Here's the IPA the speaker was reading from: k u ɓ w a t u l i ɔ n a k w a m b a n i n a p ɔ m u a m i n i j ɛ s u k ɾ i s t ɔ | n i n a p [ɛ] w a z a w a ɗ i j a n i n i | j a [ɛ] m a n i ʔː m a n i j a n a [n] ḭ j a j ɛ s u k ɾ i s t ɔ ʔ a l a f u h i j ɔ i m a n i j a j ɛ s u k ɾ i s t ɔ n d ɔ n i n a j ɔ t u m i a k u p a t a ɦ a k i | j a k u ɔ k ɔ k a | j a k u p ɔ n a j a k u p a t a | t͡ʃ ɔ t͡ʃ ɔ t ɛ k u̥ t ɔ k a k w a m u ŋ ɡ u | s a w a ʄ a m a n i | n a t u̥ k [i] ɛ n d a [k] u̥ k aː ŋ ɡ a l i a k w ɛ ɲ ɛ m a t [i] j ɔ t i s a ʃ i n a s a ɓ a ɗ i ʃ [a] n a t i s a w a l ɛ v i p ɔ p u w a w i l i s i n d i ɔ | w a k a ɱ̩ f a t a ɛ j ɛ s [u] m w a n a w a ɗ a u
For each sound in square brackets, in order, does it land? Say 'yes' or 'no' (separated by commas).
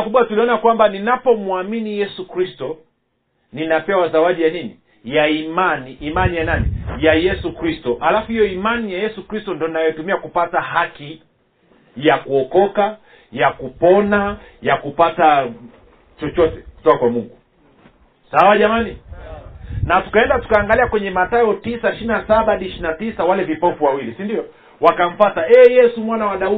yes, no, yes, no, no, no, no, yes